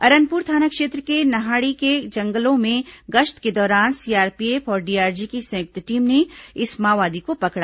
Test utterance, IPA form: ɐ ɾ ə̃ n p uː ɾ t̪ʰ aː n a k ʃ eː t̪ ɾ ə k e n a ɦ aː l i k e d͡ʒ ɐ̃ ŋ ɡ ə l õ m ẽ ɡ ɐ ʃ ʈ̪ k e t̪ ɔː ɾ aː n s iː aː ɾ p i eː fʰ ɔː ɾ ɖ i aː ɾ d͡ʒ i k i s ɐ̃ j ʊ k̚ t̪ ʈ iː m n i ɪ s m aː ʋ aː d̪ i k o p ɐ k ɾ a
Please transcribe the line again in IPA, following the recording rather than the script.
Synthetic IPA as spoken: ɐ ɾ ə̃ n p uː ɾ t̪ʰ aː n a k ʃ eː t̪ ɾ ə k e n ɐ ɦ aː ɽ i k e d͡ʒ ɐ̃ ŋ ɡ ə l õ m ẽ ɡ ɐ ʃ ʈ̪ k e d̪ ɔː ɾ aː n s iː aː ɾ p i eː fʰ ɔː ɾ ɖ i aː ɾ d͡ʒ i k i s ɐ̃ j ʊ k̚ t̪ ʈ iː m n e ɪ s m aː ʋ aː d̪ i k o p ɐ k ɽ a